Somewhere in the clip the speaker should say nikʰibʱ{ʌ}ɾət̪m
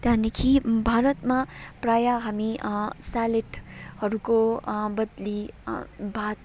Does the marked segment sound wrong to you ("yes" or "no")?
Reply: yes